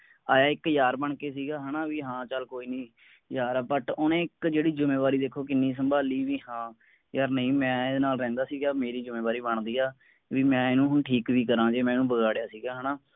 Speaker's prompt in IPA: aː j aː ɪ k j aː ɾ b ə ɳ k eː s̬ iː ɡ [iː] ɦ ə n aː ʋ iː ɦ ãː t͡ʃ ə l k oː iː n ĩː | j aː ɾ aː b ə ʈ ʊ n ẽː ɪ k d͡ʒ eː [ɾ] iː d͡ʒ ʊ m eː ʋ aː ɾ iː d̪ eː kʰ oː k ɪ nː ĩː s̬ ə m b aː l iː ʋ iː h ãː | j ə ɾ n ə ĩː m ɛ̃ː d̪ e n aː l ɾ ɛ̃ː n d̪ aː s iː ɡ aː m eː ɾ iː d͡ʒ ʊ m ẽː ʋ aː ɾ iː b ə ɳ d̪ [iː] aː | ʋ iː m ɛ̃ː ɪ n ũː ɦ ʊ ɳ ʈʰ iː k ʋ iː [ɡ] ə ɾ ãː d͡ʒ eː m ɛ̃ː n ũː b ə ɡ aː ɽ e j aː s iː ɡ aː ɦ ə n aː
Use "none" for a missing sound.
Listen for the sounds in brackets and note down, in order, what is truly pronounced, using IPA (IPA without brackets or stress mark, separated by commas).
aː, ɽ, iː, k